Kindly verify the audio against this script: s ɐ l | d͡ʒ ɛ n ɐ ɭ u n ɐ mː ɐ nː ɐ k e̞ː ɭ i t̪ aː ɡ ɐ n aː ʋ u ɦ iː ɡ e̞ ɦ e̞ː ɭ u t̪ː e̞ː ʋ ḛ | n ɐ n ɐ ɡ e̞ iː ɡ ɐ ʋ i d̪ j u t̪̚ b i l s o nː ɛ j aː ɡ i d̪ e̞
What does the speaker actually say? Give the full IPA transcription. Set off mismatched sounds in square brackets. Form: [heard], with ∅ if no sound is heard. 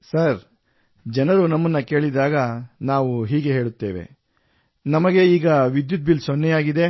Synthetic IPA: s ɐ [ɾ] | d͡ʒ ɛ n ɐ [ɾ] u n ɐ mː ɐ nː ɐ k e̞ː ɭ i [d̪] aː ɡ ɐ n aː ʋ u ɦ iː ɡ e̞ ɦ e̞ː ɭ u t̪ː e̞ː ʋ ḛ | n ɐ [m] ɐ ɡ e̞ iː ɡ ɐ ʋ i d̪ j u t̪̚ b i l s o nː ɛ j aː ɡ i d̪ e̞